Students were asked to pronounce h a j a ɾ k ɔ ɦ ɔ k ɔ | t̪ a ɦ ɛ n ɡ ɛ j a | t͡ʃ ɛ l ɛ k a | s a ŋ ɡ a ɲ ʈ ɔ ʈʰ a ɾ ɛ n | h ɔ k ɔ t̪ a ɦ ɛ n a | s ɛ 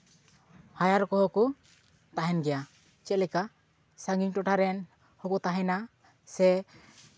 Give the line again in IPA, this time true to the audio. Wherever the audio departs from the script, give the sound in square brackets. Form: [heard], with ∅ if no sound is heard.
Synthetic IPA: h a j a ɾ k ɔ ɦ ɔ k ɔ | t̪ a ɦ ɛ n ɡ ɛ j a | t͡ʃ ɛ l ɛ k a | s a ŋ ɡ [i] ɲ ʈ ɔ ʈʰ a ɾ ɛ n | h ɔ k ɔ t̪ a ɦ ɛ n a | s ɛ